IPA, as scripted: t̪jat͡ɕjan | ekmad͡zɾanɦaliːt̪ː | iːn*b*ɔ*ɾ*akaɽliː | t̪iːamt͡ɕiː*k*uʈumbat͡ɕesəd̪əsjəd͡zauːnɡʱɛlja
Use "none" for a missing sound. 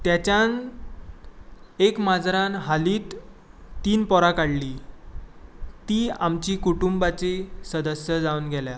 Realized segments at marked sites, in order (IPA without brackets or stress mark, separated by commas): p, ɾ, k